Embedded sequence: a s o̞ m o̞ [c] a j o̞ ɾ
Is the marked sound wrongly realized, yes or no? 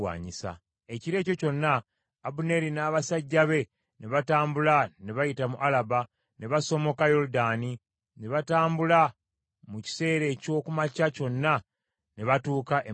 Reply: yes